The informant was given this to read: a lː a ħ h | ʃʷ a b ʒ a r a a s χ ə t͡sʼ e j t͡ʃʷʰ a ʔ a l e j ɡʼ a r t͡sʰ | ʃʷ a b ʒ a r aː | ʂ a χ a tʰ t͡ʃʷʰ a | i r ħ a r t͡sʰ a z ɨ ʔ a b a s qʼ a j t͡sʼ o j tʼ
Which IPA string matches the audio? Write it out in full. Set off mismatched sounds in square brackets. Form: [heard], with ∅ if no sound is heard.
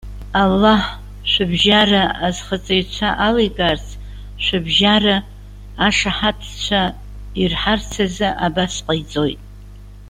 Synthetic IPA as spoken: a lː a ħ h | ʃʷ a b ʒ a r a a [z] χ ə t͡sʼ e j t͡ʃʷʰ a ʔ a l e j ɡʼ a r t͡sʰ | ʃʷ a b ʒ a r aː | ʂ a [ħ] a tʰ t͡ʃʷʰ a | i r ħ a r t͡sʰ a z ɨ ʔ a b a s qʼ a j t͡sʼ o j tʼ

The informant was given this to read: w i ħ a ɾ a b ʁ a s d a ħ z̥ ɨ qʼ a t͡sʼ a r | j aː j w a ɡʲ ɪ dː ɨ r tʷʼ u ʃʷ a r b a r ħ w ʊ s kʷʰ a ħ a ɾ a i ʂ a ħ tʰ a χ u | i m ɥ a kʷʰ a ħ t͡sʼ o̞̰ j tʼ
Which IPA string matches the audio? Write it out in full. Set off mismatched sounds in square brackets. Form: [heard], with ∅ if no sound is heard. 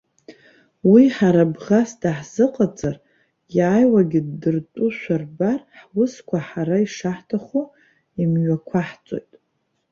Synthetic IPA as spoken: w i ħ a ɾ a b ʁ a s d a ħ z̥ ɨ qʼ a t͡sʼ a r | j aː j w a ɡʲ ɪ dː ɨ r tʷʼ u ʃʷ a r b a r ħ w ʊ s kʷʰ a ħ a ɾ a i ʂ a ħ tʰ a χ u | i m ɥ a kʷʰ a ħ t͡sʼ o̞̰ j tʼ

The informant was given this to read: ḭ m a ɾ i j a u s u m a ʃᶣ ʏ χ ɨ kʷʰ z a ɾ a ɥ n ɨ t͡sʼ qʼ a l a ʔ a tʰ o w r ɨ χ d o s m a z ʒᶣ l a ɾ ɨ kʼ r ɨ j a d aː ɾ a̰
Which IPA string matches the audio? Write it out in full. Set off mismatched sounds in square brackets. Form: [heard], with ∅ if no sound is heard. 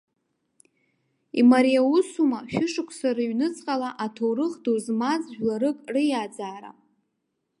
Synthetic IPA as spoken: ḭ m a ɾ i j a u s u m a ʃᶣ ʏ [ʂ] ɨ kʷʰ [s] a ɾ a ɥ n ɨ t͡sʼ qʼ a l a ʔ a tʰ o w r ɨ χ d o [z] m a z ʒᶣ l a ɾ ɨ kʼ r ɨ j a [d͡z] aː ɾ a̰

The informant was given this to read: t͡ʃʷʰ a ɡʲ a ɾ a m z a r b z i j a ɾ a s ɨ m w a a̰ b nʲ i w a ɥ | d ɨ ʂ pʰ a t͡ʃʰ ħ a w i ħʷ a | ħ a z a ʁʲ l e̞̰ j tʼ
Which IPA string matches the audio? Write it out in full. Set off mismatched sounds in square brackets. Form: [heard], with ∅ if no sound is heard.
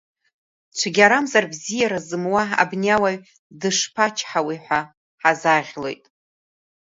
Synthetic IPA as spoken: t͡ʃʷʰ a ɡʲ a ɾ a m z a r b z i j a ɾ a [z] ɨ m w a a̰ b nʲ [a] w a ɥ | d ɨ ʂ pʰ a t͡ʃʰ ħ a w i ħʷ a | ħ a z a ʁʲ l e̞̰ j tʼ

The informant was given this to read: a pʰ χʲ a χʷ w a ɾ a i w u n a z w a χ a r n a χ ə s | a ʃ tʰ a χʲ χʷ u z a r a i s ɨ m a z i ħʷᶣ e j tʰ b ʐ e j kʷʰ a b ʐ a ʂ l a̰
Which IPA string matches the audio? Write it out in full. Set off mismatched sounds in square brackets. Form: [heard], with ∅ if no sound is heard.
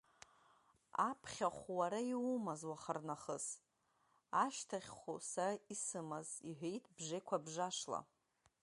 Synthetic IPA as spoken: a pʰ χʲ a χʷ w a ɾ a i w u [m] a z w a χ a r n a χ ə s | a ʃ tʰ a χʲ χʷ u [s] a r a i s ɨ m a z i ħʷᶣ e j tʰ b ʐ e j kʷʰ a b ʐ a ʂ l a̰

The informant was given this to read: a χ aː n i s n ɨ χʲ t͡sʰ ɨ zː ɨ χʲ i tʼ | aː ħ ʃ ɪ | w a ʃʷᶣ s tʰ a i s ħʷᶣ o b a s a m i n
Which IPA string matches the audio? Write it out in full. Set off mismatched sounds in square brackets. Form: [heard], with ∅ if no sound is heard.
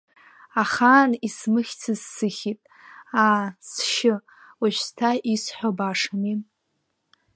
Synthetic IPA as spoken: a χ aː n i s [m] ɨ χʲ t͡sʰ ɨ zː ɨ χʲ i tʼ | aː [s] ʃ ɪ | w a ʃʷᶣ s tʰ a i s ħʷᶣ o b a [ʂ] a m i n

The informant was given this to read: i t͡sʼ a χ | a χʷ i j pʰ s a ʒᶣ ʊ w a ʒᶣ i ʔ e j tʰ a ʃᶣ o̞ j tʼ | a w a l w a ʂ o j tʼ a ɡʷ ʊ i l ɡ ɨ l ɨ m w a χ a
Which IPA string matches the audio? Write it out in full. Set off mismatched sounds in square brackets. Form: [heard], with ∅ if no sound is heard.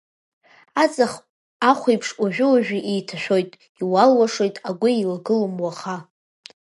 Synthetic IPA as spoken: [a] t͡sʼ a χ | a χʷ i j pʰ [ʂ] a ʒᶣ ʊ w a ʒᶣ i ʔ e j tʰ a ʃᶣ o̞ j tʼ | [i] w a l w a ʂ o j tʼ a ɡʷ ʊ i l ɡ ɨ l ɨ m w a χ a

